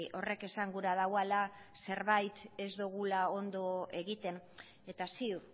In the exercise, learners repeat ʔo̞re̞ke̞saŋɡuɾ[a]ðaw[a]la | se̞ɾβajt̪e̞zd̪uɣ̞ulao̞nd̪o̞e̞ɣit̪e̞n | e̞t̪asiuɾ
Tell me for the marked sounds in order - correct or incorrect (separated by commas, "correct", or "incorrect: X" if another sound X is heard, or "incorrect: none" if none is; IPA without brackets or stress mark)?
correct, correct